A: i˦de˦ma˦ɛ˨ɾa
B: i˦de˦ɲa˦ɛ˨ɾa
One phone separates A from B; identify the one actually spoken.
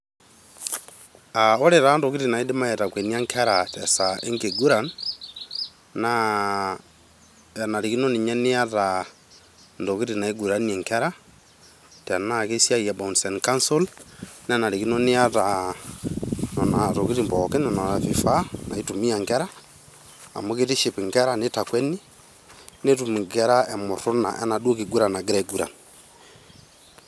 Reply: A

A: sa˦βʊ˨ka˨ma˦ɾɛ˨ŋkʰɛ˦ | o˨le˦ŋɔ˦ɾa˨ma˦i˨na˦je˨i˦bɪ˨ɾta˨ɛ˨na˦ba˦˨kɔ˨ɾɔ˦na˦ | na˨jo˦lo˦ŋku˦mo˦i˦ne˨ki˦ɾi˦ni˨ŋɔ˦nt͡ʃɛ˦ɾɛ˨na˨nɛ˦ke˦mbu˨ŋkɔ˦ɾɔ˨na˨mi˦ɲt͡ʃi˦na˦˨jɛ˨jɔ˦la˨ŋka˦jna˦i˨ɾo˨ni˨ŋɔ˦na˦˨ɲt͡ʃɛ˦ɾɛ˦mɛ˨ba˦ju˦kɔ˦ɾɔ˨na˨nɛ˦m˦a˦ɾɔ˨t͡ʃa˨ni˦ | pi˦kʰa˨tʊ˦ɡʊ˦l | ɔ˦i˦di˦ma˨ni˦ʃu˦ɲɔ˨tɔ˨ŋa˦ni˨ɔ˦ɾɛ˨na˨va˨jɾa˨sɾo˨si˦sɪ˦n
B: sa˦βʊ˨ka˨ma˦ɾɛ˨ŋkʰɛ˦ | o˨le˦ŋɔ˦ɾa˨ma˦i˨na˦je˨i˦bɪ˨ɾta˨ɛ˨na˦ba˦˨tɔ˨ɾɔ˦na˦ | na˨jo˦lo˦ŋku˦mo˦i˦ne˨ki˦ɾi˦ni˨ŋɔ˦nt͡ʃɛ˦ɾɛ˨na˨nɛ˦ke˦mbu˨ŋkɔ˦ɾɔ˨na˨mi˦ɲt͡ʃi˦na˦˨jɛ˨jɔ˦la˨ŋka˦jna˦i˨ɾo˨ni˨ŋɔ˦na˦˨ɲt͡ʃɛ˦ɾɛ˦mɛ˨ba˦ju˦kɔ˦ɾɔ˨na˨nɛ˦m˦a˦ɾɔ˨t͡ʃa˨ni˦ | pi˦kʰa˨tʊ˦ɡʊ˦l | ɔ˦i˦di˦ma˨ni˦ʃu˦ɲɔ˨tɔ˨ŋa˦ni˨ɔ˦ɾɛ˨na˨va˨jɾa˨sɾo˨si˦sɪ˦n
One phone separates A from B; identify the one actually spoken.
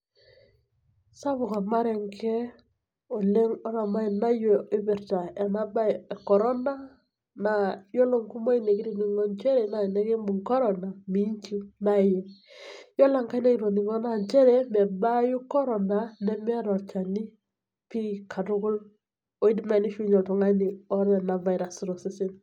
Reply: A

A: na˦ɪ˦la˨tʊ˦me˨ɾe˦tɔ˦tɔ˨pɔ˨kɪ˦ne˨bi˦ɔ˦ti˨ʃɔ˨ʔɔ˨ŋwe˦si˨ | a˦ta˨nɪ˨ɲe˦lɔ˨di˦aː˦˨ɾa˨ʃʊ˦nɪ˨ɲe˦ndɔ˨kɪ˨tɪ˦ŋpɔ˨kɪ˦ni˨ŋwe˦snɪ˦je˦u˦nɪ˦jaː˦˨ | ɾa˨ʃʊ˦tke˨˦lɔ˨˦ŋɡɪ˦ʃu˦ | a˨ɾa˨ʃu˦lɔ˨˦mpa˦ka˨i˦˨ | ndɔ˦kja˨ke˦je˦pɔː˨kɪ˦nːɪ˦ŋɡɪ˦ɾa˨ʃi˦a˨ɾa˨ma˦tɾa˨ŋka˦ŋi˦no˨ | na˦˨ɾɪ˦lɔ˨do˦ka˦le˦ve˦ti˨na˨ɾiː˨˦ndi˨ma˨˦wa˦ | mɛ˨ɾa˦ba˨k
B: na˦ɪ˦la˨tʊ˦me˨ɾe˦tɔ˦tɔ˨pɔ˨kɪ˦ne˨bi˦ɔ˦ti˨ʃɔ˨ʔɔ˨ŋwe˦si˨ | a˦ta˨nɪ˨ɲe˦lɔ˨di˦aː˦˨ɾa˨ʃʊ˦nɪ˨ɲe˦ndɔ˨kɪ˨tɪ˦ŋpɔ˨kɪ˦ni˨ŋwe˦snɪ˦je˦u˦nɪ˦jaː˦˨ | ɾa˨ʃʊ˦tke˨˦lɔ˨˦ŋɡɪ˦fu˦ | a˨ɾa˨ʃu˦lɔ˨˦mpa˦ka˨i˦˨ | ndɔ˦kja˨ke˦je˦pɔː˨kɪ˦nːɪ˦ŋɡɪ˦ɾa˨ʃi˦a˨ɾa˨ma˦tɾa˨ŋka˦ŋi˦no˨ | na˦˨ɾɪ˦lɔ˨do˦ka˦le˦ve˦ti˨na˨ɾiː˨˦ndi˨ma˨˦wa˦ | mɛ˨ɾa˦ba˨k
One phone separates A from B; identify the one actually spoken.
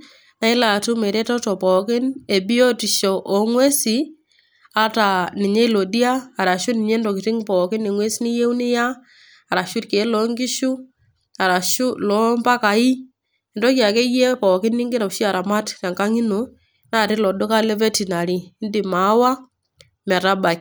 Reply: A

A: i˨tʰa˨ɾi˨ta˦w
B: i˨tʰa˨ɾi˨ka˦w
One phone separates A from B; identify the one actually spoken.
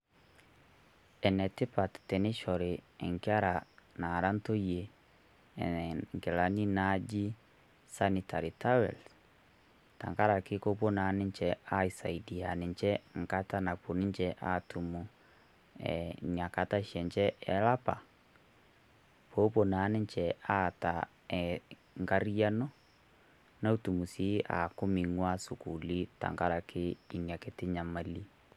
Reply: A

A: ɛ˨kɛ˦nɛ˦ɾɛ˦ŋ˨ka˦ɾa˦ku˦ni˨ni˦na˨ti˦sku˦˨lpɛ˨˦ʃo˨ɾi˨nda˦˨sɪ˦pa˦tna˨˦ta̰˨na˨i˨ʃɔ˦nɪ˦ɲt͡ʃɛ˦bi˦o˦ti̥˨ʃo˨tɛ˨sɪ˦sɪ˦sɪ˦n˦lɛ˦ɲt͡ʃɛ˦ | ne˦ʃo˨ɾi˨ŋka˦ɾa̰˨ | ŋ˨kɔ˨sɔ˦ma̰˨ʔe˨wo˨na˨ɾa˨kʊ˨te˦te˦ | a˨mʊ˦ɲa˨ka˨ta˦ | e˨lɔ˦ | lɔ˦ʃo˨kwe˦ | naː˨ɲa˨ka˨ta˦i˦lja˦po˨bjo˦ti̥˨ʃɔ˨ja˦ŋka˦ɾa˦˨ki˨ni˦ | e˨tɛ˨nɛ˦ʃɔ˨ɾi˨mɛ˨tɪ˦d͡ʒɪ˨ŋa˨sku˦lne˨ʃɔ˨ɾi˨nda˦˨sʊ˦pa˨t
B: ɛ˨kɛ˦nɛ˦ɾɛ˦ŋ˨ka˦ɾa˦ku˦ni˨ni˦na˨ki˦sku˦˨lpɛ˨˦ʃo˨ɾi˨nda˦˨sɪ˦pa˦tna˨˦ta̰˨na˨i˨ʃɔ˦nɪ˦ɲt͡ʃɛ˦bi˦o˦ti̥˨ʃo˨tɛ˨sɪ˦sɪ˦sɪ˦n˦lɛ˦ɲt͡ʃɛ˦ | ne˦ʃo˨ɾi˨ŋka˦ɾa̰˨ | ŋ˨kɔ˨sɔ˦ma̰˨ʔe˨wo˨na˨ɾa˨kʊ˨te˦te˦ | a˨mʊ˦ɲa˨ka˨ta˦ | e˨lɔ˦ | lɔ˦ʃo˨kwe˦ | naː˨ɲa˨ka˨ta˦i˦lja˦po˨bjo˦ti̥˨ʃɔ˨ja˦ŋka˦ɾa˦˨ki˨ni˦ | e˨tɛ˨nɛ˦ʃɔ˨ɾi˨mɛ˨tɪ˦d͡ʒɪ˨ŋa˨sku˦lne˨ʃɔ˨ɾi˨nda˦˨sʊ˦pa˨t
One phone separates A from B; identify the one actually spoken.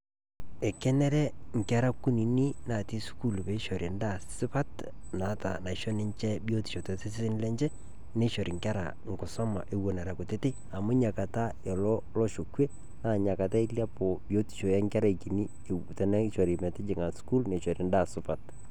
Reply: A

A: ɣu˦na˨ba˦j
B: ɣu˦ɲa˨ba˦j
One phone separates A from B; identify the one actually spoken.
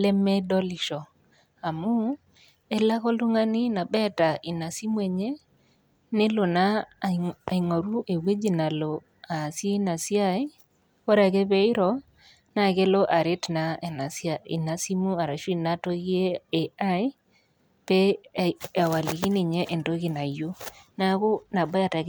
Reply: A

